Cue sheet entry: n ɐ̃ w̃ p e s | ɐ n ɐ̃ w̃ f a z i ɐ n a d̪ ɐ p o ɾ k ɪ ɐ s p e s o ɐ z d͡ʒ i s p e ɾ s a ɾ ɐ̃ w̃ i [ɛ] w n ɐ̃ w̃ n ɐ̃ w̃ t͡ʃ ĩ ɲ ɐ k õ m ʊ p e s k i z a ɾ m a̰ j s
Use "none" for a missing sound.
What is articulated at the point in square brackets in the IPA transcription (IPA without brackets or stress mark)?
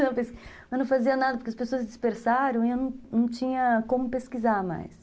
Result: e